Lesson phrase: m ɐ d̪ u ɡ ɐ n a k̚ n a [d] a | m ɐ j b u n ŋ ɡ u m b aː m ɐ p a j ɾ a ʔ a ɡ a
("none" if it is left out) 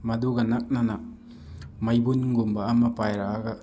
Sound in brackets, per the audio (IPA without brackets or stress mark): n